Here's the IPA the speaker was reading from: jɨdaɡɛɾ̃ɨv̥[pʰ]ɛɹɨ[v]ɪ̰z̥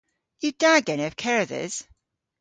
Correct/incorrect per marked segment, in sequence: incorrect: kʰ, incorrect: ð

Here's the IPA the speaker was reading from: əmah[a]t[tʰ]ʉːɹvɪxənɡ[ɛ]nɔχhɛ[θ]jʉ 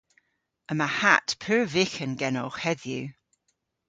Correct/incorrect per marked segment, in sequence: correct, incorrect: pʰ, correct, incorrect: ð

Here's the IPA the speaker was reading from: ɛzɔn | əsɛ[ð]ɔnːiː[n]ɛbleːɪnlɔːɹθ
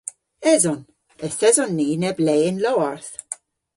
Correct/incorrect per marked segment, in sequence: incorrect: z, correct

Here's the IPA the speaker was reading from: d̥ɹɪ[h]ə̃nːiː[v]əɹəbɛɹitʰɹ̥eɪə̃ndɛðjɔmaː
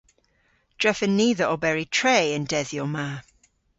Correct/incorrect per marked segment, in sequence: incorrect: f, incorrect: ð

